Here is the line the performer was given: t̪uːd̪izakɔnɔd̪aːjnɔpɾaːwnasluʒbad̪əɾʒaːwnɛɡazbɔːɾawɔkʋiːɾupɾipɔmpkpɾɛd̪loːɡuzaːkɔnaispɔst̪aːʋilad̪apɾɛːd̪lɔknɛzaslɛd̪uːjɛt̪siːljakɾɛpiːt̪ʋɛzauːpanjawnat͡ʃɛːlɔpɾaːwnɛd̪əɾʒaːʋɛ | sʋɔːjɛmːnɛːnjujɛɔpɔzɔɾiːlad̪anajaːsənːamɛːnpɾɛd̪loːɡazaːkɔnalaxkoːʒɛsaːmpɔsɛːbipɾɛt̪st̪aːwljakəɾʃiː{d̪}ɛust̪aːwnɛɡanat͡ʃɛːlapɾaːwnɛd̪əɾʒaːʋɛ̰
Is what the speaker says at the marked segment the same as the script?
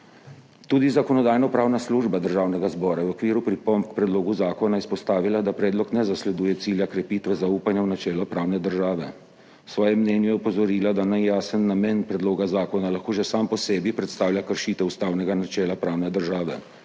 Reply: no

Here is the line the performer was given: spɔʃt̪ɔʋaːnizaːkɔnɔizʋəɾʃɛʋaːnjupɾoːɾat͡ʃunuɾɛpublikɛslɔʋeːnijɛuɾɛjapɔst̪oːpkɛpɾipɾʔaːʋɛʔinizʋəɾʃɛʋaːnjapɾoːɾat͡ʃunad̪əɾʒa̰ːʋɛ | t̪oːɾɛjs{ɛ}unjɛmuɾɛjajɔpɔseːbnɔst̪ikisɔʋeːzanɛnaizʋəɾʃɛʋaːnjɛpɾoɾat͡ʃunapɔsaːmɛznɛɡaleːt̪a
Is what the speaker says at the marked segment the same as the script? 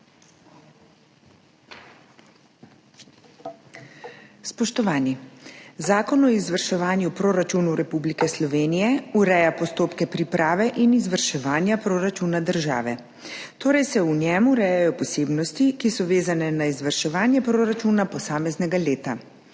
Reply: yes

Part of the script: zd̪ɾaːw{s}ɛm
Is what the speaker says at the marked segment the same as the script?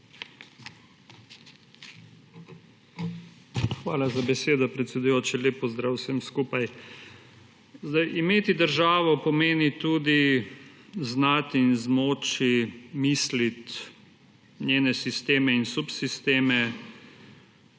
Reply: yes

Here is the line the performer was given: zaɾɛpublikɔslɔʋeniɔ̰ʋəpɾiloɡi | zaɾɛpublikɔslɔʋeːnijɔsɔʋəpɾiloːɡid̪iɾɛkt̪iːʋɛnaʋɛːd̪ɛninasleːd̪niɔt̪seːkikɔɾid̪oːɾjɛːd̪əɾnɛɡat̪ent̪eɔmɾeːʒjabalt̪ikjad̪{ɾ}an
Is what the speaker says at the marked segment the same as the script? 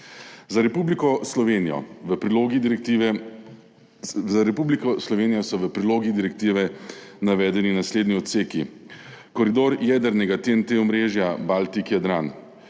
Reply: yes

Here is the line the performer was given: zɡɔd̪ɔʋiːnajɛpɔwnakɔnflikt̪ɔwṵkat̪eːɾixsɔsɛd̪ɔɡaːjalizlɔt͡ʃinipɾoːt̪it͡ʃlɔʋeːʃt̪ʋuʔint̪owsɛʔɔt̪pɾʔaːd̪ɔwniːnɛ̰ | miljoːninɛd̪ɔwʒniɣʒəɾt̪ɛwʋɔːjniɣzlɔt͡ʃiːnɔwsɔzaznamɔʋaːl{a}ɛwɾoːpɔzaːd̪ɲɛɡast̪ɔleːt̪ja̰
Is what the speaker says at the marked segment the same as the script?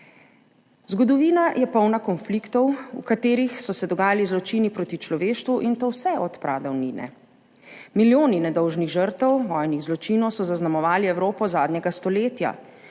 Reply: no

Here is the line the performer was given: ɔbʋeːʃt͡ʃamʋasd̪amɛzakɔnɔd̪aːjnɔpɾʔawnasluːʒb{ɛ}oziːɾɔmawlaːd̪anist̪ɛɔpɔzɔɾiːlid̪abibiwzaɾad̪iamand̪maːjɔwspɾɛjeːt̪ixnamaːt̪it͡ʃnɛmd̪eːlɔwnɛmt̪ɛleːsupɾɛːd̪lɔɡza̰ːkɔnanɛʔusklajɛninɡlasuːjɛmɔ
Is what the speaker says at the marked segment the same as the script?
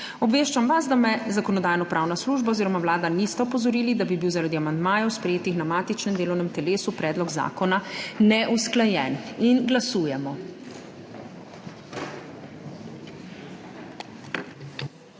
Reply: no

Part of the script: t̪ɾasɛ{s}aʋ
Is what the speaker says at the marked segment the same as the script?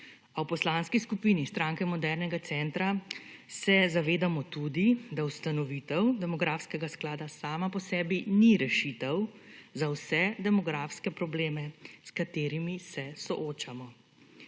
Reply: no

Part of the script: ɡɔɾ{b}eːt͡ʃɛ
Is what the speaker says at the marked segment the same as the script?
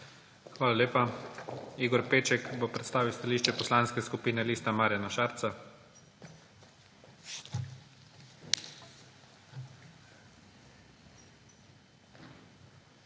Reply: no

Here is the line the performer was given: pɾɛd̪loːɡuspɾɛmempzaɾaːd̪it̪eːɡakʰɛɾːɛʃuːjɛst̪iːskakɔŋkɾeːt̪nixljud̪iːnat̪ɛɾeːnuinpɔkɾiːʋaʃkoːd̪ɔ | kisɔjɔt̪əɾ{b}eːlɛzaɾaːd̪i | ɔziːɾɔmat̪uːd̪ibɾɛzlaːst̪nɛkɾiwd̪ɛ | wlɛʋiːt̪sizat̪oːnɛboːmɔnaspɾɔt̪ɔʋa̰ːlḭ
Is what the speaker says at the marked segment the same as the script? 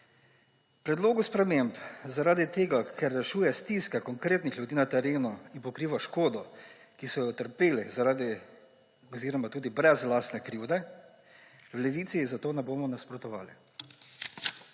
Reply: no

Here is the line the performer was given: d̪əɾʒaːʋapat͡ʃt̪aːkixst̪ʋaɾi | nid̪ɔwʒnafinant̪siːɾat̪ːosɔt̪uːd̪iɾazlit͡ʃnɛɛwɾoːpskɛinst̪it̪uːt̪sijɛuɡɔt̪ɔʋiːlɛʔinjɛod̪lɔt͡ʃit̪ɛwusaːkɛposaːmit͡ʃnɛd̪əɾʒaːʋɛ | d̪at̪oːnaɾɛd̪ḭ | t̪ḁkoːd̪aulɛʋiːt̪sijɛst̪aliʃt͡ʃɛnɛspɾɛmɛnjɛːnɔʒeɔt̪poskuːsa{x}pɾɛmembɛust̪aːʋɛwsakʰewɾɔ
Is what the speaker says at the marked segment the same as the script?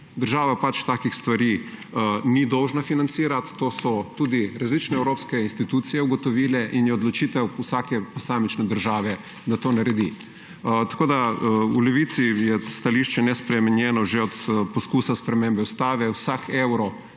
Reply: no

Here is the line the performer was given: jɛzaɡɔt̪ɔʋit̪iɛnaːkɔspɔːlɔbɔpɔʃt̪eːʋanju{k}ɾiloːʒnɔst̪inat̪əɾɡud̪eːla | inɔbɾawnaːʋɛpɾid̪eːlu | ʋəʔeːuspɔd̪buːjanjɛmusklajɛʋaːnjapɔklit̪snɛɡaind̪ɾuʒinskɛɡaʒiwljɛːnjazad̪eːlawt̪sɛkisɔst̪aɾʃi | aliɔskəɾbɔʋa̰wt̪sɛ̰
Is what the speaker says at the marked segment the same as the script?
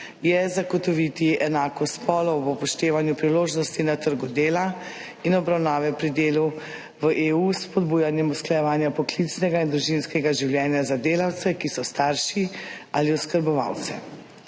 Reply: no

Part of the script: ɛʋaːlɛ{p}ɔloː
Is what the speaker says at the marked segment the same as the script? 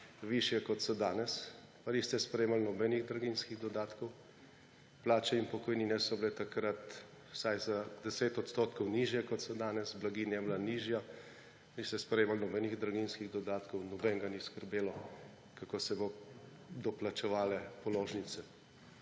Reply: yes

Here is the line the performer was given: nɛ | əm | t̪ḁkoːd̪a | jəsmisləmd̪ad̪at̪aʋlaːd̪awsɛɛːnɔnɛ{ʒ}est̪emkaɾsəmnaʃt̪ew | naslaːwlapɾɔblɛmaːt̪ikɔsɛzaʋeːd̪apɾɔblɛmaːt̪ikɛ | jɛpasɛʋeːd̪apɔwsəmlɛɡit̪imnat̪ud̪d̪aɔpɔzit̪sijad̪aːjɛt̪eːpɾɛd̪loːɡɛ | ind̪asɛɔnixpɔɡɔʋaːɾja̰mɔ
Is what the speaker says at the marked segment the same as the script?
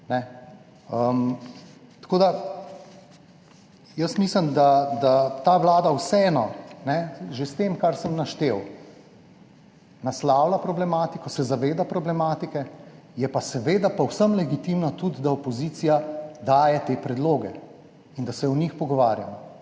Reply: yes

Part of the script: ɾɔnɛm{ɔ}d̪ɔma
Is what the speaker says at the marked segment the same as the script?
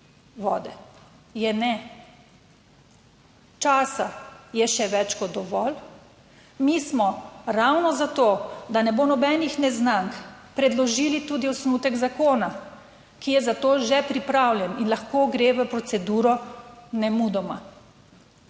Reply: no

